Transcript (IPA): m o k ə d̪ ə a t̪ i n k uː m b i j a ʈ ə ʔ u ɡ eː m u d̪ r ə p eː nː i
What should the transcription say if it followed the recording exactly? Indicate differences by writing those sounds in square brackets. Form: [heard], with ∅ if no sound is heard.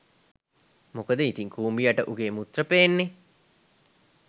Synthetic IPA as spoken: m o k ə d̪ ə [i] t̪ i [ŋ] k uː m b i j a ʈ ə ʔ u ɡ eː m u [t̪] r ə p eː nː [e]